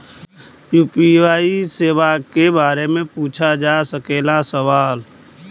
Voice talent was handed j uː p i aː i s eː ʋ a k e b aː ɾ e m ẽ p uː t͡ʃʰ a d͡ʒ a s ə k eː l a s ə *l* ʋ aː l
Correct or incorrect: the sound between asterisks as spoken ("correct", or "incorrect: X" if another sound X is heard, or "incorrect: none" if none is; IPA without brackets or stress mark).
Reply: incorrect: none